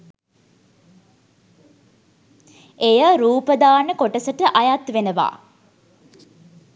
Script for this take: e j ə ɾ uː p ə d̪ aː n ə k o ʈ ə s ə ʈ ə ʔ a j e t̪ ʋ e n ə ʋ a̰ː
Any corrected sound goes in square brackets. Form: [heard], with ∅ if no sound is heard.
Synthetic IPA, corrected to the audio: e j ə ɾ uː p ə d̪ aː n ə k o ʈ ə s ə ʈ ə ʔ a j [a] t̪ ʋ e n ə ʋ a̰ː